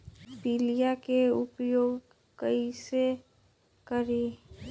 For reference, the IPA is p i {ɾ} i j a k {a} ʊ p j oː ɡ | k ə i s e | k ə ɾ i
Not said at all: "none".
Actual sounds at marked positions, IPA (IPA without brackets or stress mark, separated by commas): l, e